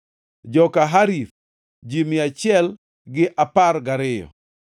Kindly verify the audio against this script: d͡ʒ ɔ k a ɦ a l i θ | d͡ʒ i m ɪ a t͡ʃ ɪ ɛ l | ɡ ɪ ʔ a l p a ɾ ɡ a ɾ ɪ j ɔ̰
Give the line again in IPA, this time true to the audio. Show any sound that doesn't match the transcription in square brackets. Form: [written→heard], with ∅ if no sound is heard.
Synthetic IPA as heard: d͡ʒ ɔ k a ɦ a [l→ɾ] i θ | d͡ʒ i m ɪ a t͡ʃ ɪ ɛ l | ɡ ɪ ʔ a [l→∅] p a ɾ ɡ a ɾ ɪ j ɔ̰